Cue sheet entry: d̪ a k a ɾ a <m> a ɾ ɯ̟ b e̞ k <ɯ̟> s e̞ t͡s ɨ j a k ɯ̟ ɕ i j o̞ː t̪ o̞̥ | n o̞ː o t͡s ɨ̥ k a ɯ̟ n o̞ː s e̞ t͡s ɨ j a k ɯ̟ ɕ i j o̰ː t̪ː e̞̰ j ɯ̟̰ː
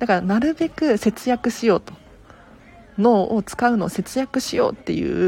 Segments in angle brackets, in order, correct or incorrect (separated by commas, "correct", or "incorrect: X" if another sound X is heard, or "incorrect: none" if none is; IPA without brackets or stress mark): incorrect: n, correct